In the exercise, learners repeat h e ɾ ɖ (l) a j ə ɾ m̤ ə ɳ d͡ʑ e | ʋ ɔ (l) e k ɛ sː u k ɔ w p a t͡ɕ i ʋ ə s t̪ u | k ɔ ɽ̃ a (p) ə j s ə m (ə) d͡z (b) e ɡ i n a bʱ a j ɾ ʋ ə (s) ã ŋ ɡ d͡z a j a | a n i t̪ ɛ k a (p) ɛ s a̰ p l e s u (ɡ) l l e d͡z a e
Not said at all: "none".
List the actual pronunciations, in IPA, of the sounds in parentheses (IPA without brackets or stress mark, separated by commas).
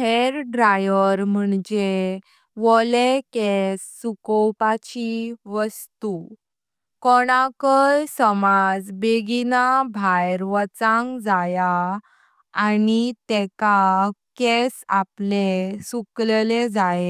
ɾ, l, k, a, b, t͡s, k, k